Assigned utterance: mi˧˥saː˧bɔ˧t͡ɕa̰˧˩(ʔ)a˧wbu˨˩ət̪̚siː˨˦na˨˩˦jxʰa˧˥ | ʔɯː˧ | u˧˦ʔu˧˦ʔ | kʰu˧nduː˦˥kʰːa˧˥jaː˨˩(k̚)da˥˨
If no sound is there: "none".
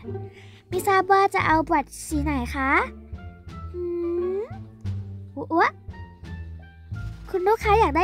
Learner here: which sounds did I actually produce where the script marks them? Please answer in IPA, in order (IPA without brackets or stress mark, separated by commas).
ʔ, k̚